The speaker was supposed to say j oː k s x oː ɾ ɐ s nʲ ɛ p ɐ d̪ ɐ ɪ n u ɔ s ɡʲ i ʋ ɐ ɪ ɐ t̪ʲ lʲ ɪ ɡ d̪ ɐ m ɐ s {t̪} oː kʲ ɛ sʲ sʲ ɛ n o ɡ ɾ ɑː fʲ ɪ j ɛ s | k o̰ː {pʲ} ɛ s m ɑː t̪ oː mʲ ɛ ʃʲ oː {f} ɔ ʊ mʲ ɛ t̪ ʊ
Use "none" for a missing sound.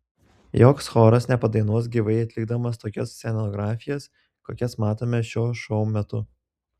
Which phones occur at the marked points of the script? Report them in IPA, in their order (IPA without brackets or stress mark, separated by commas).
t̪, kʲ, ʃ